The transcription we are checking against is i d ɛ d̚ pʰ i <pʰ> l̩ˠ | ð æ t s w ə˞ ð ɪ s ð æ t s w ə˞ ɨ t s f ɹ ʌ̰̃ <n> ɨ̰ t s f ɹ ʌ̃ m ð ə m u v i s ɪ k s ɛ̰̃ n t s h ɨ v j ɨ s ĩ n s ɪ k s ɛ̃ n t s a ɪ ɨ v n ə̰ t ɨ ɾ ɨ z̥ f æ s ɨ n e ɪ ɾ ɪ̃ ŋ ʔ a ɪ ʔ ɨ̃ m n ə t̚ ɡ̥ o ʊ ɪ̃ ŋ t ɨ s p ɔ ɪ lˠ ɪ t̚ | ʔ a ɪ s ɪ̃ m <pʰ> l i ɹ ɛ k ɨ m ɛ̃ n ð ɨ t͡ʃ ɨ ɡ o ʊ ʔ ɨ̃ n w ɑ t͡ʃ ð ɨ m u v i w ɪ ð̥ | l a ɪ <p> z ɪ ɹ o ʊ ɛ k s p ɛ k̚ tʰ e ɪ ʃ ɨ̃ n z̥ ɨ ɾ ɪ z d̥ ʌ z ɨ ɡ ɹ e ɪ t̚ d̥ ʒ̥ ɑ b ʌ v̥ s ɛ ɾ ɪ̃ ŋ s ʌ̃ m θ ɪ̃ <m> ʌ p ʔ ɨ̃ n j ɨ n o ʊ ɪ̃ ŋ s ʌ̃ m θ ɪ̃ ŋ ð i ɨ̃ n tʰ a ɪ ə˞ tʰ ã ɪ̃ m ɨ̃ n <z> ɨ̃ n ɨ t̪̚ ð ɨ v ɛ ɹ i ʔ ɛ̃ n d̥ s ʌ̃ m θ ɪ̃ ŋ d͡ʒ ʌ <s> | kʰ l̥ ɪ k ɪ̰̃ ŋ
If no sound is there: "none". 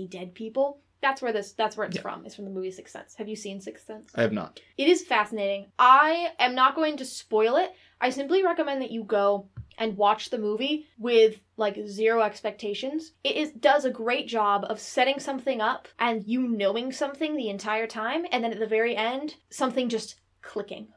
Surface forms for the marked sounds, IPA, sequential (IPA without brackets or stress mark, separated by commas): p, m, p, k, ŋ, ð, s